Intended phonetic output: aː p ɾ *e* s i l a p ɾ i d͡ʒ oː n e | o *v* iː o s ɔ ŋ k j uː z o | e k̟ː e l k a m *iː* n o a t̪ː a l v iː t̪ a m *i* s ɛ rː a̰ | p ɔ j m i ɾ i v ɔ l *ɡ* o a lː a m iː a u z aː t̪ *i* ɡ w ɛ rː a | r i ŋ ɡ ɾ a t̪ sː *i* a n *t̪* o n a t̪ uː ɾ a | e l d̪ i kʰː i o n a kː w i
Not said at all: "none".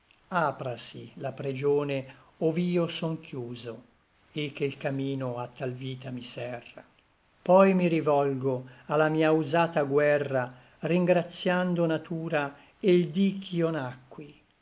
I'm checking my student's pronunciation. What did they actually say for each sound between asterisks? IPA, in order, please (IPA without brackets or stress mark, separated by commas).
a, v, iː, i, ɡ, a, j, d̪